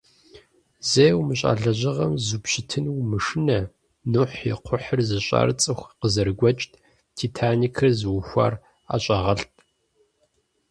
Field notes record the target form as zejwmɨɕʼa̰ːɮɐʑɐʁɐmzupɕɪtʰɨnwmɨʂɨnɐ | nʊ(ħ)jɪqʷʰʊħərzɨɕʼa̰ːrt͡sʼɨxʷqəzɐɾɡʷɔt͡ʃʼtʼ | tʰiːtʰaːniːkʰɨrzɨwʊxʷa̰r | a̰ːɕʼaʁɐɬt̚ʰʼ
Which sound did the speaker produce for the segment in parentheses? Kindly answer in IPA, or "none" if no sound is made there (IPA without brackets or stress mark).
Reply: ħ